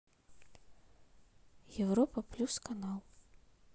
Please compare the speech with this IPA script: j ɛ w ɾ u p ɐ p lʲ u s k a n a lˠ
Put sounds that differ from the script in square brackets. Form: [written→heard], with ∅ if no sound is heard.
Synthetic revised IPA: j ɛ w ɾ [u→ɔ] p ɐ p lʲ u s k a n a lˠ